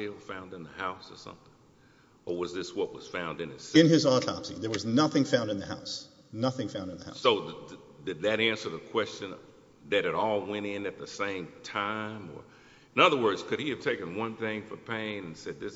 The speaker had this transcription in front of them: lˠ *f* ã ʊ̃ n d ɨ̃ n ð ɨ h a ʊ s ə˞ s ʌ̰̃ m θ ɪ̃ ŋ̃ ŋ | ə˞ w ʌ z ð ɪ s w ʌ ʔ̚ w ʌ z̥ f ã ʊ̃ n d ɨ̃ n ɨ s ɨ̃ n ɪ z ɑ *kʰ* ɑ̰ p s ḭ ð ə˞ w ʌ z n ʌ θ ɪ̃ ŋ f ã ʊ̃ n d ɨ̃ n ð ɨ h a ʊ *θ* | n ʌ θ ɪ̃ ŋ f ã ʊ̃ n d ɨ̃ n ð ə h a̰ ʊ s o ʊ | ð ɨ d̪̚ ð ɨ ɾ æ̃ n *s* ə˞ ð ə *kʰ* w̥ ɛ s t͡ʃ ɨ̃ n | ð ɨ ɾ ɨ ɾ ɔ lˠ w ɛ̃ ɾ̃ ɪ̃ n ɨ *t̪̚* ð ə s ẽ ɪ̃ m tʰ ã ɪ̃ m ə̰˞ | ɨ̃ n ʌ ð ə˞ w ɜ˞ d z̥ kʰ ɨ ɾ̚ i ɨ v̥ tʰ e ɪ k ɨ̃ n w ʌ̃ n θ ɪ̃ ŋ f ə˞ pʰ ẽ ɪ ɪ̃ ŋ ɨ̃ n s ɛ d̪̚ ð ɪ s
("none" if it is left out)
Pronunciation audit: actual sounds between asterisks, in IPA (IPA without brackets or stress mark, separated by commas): f, tʰ, s, s, kʰ, t̪̚